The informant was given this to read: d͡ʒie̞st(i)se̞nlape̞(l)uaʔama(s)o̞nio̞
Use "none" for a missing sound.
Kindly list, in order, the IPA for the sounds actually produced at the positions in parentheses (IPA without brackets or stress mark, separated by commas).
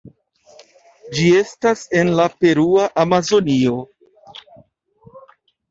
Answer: a, ɾ, z